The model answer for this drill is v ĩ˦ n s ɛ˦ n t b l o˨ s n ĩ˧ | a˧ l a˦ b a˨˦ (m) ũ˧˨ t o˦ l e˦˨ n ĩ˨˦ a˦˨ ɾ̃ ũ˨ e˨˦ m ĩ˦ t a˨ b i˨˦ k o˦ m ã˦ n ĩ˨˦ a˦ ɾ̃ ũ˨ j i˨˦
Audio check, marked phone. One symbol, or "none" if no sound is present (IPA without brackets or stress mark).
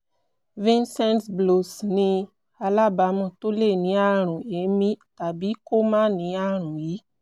m